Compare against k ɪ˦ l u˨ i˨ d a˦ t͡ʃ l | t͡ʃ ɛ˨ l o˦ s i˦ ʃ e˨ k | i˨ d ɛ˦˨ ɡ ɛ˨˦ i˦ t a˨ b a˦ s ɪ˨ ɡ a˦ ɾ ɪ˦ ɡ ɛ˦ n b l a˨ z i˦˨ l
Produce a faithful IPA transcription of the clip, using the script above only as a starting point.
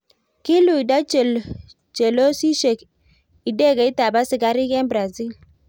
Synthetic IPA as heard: k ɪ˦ l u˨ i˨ d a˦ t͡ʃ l | t͡ʃ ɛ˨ l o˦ s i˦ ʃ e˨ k | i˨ d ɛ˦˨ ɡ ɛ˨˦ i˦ t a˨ b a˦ s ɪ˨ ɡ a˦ ɾ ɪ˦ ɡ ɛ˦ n b ɾ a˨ z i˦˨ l